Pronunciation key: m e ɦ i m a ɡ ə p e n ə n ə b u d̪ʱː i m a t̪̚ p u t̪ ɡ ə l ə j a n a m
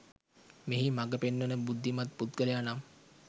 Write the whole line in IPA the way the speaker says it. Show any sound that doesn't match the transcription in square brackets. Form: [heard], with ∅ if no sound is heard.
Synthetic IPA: m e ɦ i m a ɡ ə p e [nː] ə n ə b u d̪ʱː i m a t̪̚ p u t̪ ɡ ə l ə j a n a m